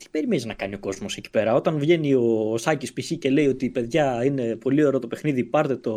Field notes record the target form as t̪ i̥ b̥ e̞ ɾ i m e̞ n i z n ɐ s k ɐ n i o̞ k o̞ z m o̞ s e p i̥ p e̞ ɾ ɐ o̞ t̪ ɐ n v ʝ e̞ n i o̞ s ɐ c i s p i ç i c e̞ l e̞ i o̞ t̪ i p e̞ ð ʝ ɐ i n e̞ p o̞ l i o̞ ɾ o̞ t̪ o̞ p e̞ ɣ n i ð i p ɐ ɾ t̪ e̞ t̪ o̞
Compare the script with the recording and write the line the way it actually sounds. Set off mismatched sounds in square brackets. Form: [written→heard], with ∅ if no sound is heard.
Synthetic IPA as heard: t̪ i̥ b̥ e̞ ɾ i m e̞ n i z n ɐ [s→∅] k ɐ n i o̞ k o̞ z m o̞ s e [p→c] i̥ p e̞ ɾ ɐ o̞ t̪ ɐ n v ʝ e̞ n i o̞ s ɐ c i s p i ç i c e̞ l e̞ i o̞ t̪ i p e̞ ð ʝ ɐ i n e̞ p o̞ l i o̞ ɾ o̞ t̪ o̞ p e̞ [ɣ→x] n i ð i p ɐ ɾ t̪ e̞ t̪ o̞